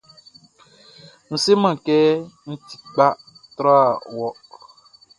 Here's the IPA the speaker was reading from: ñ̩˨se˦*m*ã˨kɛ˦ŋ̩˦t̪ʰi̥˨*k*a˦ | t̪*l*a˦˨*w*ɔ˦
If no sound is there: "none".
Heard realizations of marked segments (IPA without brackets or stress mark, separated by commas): m, k͡p, ɾ, w